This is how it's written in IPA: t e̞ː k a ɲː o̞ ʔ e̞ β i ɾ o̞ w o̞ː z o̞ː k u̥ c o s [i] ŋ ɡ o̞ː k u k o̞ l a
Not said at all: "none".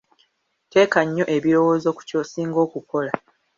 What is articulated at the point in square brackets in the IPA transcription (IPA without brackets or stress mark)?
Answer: iː